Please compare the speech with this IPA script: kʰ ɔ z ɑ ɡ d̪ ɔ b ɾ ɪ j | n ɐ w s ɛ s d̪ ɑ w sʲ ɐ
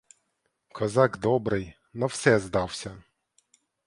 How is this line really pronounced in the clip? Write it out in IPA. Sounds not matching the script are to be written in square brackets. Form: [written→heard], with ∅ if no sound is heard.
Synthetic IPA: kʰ ɔ z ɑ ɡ d̪ ɔ b ɾ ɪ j | n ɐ w s ɛ [s→z] d̪ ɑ w sʲ ɐ